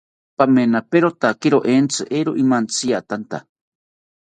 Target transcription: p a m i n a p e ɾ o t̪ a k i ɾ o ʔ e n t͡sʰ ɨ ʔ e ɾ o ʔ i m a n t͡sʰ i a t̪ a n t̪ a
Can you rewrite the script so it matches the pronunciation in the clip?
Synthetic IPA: p a m e n a p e ɾ o t̪ a k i ɾ o ʔ e n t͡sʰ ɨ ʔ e ɾ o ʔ i m a n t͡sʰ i a t̪ a n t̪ a